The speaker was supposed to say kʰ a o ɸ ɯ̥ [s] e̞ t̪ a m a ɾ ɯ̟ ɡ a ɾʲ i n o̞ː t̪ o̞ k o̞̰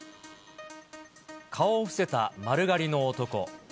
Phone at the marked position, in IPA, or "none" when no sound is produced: s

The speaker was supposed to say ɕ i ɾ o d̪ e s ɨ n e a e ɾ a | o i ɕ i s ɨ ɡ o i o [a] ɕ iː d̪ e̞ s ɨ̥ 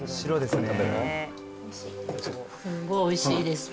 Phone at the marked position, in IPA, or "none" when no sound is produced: i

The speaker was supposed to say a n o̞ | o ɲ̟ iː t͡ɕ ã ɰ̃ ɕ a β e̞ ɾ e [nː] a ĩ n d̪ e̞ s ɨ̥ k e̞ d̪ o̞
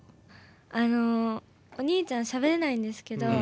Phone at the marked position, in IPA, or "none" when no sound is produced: n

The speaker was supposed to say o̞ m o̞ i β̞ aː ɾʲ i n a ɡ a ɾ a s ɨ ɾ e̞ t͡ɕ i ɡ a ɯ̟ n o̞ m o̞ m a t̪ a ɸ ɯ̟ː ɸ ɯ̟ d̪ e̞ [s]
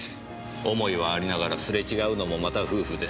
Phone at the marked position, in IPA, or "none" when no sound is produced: s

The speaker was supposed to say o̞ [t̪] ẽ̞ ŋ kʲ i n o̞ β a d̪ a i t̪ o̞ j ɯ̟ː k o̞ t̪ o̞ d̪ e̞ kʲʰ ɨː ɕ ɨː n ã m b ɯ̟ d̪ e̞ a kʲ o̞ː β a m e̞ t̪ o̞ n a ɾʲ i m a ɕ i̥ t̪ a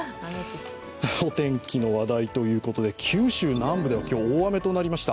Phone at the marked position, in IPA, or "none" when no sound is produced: t̪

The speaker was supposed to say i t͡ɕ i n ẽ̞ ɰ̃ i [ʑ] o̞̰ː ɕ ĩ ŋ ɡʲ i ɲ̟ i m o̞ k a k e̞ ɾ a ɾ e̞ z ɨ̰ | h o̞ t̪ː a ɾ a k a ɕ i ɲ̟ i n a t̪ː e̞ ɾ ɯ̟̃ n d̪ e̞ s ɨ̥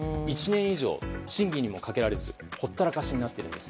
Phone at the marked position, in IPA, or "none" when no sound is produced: ʑ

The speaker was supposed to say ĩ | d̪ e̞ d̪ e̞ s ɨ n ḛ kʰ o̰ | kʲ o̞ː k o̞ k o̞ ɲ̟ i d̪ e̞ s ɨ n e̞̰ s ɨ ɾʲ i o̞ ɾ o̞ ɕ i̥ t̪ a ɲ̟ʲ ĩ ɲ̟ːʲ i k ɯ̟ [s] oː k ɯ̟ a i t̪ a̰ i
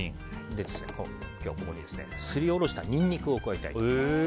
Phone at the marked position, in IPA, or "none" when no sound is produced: none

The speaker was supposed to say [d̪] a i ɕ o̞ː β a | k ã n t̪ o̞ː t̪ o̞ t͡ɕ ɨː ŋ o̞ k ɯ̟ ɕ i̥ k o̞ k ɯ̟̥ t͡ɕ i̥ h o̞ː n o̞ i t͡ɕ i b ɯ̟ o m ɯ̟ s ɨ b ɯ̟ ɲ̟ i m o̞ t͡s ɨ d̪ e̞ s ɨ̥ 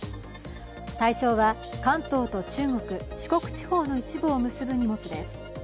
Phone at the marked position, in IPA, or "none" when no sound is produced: t̪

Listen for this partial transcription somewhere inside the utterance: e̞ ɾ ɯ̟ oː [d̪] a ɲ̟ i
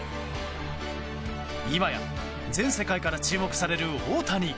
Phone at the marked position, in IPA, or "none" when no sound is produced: t̪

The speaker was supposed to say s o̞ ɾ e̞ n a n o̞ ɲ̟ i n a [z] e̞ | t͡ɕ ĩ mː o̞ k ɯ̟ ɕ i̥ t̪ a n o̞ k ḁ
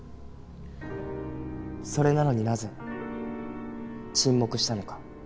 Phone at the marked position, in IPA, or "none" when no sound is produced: z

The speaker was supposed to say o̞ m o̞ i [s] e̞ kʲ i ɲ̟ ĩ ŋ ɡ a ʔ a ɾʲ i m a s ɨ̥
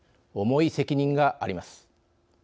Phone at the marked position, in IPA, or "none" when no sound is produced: s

